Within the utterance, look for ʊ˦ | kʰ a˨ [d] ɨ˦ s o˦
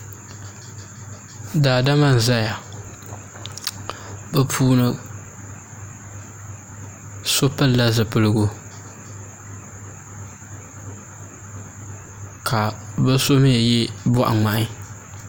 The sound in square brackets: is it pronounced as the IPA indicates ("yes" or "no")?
no